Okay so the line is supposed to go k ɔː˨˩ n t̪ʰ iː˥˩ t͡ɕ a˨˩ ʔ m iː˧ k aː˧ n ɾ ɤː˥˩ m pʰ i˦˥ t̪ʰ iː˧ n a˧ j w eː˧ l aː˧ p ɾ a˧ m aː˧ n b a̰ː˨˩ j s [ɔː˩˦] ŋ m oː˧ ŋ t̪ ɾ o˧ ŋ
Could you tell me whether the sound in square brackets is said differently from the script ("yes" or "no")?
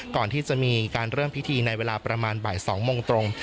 no